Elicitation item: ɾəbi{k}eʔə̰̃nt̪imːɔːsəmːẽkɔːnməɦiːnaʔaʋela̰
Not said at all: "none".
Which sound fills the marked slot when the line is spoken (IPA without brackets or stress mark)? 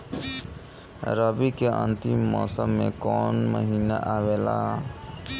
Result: k